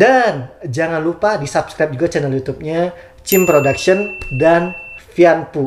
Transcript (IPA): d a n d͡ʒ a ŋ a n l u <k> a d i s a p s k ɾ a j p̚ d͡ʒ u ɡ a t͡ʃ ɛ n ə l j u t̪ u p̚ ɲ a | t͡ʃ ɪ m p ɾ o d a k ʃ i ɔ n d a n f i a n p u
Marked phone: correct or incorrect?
incorrect